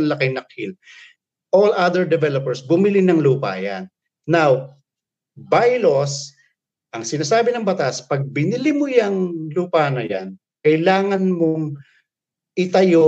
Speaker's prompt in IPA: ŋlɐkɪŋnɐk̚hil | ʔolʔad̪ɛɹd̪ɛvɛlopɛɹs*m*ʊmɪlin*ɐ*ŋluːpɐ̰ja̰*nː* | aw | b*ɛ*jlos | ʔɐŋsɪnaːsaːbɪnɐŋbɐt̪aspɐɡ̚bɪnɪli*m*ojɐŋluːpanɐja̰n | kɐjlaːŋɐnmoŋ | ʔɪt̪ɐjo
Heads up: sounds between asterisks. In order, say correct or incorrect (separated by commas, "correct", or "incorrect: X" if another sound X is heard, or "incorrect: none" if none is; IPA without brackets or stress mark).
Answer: incorrect: b, correct, correct, incorrect: a, correct